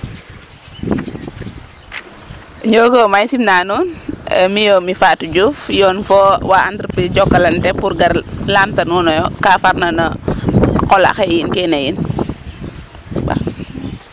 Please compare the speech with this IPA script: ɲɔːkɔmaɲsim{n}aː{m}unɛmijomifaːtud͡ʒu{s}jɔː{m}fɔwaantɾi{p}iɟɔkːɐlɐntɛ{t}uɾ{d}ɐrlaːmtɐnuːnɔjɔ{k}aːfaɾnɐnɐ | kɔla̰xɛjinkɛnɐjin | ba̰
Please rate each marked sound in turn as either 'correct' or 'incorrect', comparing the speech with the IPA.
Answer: correct, incorrect, incorrect, incorrect, correct, incorrect, incorrect, correct

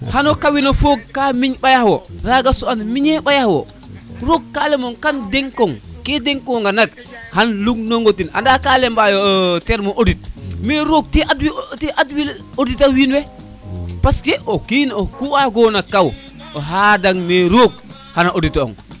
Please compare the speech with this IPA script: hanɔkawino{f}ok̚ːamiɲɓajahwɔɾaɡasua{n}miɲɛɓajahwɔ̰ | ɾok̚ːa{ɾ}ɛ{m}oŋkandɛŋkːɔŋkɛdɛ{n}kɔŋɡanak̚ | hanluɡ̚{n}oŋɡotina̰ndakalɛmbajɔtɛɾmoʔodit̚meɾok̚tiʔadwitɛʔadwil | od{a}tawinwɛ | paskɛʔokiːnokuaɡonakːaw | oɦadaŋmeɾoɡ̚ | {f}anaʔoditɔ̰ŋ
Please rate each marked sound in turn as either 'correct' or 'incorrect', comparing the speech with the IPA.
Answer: correct, correct, incorrect, correct, incorrect, correct, incorrect, incorrect

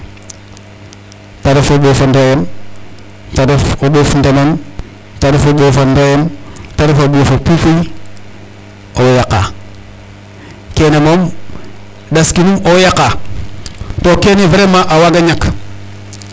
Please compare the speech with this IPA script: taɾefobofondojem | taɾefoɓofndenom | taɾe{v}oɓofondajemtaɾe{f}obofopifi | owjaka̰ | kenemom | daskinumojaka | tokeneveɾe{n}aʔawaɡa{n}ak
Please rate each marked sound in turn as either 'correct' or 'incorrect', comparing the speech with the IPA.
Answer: incorrect, correct, incorrect, incorrect

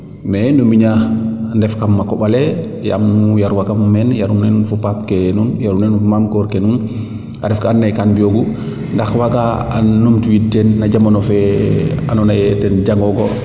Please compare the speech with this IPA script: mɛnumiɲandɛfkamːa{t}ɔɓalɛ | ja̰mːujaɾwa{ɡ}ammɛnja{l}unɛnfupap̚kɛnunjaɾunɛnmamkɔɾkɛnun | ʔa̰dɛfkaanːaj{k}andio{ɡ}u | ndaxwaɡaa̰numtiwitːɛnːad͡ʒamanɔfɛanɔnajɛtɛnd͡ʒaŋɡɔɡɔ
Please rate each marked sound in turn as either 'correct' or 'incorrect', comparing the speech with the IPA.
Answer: incorrect, incorrect, incorrect, correct, correct

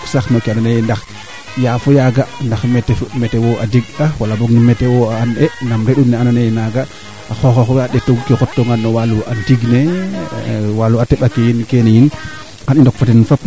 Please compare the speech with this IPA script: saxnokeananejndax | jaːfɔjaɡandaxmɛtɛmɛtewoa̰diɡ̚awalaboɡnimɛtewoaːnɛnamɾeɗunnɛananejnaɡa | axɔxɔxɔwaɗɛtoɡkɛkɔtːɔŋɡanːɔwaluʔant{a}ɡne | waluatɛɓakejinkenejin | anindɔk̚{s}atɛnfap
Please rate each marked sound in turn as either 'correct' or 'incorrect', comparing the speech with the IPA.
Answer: incorrect, incorrect

